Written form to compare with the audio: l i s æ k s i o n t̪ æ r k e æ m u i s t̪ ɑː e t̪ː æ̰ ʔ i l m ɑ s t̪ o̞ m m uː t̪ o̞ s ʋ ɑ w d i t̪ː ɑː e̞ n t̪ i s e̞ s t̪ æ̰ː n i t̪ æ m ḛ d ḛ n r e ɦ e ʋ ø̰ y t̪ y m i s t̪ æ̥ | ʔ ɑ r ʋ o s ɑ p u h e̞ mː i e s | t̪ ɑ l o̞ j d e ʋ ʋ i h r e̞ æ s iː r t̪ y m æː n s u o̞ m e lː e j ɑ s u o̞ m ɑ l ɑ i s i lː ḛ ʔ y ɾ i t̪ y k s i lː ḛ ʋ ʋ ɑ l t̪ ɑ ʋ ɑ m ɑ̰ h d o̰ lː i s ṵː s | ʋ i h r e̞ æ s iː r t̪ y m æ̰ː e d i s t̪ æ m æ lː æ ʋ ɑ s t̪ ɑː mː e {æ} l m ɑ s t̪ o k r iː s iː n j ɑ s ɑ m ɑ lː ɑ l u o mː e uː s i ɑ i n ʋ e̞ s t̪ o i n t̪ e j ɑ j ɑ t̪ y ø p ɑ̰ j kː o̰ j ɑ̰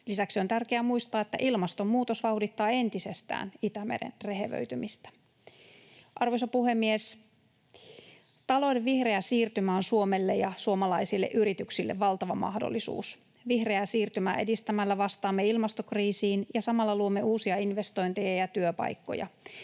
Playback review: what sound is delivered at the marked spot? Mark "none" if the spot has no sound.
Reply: i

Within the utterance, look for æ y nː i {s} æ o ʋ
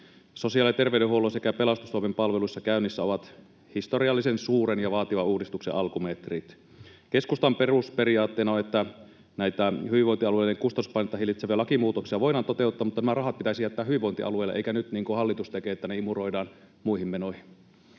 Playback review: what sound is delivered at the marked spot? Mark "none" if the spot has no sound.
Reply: sː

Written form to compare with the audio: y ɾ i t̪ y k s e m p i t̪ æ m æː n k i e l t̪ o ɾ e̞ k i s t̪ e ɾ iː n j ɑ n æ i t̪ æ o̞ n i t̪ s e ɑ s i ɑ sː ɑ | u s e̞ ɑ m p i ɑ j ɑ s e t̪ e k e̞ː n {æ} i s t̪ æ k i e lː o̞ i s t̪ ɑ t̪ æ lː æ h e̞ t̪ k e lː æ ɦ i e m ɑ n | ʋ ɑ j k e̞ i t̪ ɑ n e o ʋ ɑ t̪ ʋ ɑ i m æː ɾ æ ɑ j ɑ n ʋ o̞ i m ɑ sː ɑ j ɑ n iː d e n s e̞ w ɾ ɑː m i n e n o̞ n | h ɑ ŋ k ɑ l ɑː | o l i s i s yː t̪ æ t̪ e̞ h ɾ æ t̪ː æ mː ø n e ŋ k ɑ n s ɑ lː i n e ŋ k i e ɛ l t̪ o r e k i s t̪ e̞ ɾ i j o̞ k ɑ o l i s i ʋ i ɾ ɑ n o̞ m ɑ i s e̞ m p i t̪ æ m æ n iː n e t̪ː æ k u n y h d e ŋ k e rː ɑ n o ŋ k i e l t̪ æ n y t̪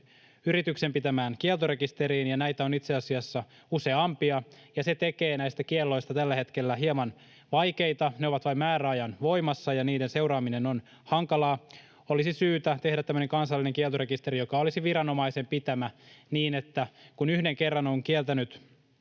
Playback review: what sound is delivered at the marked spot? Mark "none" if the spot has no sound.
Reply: æ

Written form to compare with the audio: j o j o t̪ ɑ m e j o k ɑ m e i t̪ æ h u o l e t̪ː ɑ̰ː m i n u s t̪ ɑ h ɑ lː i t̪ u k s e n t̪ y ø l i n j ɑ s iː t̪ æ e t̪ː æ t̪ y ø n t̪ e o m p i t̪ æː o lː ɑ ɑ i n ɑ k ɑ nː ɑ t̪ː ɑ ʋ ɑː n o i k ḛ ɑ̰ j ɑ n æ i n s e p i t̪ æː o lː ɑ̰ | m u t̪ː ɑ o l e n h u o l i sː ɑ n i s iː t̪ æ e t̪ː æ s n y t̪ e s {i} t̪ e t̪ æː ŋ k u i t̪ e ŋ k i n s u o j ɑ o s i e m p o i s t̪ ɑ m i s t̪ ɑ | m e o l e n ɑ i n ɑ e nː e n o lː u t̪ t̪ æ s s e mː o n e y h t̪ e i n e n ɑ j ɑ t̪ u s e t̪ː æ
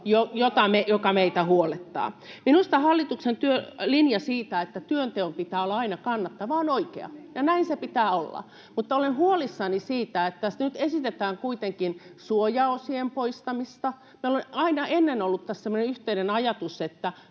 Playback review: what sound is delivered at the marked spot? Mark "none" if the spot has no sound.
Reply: i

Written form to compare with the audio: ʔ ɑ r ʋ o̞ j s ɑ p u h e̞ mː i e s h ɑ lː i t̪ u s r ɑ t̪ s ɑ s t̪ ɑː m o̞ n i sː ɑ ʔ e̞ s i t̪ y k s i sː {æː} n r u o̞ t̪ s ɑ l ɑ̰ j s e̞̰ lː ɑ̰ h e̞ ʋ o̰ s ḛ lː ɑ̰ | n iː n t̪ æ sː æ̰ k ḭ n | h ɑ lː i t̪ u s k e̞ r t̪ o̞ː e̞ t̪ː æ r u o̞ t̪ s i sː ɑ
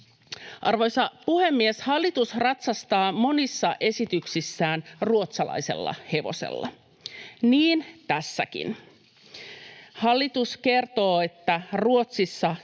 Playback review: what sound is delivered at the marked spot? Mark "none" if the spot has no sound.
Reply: æː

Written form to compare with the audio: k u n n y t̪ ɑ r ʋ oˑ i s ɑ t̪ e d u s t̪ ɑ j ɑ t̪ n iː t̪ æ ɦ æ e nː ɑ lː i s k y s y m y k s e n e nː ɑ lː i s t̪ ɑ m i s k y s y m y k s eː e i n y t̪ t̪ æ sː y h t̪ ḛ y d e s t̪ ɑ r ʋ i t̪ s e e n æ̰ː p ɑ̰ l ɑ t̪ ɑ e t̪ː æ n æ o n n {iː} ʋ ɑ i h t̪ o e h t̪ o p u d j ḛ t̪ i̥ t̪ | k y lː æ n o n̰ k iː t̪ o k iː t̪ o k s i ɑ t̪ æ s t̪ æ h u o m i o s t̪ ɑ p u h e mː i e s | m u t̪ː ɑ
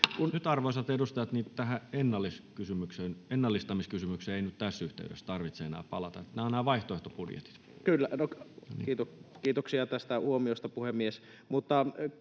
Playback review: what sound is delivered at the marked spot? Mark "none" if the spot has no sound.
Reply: æː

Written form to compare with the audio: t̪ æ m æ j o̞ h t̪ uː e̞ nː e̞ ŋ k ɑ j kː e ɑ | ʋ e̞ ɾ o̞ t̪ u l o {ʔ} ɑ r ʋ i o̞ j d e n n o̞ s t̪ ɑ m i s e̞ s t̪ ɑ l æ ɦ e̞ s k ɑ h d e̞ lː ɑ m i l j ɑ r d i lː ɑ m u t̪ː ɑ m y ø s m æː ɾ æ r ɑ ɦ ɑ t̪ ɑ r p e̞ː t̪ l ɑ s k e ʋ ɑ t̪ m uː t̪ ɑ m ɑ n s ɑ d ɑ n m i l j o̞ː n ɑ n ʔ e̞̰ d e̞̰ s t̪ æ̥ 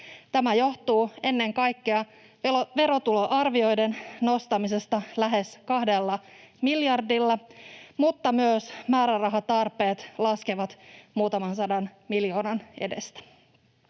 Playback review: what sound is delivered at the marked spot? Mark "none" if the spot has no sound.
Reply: ʔ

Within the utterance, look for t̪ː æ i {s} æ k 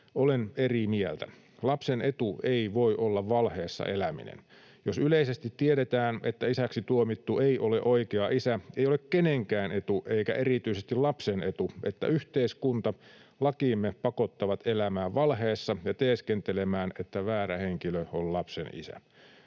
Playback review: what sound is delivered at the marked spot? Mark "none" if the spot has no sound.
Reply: s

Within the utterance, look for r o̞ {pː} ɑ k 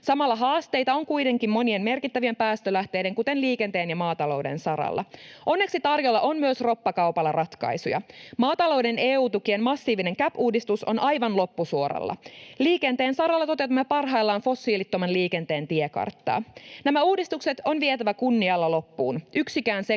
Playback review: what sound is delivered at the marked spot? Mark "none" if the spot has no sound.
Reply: pː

